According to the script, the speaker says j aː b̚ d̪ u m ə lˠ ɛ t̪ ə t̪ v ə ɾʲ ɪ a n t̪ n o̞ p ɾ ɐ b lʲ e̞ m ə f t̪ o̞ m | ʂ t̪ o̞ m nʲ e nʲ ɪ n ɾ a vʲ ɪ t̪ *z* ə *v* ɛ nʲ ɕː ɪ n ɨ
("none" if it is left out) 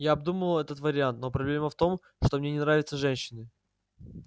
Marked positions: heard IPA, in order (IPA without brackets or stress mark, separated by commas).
s, ʐ